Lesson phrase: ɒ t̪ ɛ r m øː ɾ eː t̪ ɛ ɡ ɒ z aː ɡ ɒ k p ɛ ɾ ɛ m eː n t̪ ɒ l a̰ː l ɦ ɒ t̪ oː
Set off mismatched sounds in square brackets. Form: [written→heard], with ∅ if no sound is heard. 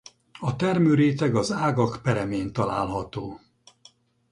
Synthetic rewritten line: ɒ t̪ ɛ r m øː ɾ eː t̪ ɛ ɡ ɒ z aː ɡ ɒ k p ɛ ɾ ɛ m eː n t̪ ɒ l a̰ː l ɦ ɒ t̪ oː